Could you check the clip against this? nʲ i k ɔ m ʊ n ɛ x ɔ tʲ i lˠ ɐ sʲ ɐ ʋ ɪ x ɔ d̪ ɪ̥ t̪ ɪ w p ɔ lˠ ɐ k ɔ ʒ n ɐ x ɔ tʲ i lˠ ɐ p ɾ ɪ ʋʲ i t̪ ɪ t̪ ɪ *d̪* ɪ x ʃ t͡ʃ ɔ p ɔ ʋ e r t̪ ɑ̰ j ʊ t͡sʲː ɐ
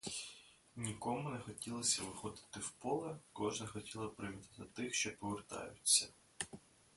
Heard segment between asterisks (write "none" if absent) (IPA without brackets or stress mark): t̪